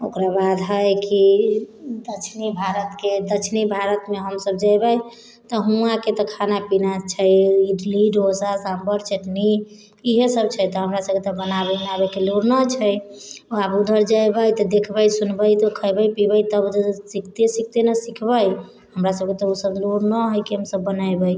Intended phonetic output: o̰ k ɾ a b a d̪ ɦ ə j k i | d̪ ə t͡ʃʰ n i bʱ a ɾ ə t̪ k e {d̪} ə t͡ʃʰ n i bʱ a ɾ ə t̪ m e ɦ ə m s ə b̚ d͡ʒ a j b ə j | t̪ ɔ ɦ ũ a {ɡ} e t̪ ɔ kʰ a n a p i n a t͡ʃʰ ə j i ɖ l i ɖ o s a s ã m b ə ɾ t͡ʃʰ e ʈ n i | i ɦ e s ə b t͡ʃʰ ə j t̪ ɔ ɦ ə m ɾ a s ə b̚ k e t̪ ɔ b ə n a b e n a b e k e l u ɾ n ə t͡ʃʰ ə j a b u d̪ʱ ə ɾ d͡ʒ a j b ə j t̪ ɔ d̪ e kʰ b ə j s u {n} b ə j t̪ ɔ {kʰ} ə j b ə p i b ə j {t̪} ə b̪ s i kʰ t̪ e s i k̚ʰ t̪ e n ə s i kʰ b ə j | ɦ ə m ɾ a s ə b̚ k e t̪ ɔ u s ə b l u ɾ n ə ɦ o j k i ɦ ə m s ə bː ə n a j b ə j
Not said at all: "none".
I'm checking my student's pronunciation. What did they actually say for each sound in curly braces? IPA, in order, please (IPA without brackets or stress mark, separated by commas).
d̪, k, n, kʰ, t̪